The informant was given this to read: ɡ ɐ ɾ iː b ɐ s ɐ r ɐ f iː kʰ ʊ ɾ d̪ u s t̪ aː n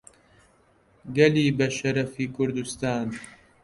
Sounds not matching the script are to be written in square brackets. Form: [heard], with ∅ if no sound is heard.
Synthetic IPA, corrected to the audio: ɡ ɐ [l] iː b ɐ [ʃ] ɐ [ɾ] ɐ f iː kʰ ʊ ɾ d̪ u s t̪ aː n